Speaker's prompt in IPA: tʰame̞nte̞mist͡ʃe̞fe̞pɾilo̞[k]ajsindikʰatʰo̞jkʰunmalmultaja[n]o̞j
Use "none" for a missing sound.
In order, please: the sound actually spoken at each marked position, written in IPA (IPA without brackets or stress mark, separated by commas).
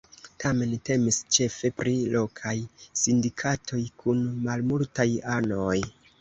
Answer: kʰ, n